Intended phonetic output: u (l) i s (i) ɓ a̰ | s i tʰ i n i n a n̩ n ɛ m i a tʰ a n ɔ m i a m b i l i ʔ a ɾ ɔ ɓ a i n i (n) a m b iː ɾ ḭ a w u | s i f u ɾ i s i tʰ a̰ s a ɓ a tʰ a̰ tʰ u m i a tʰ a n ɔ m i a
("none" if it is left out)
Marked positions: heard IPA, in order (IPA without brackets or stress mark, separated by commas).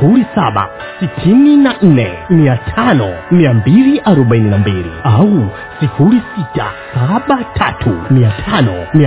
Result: ɾ, a, n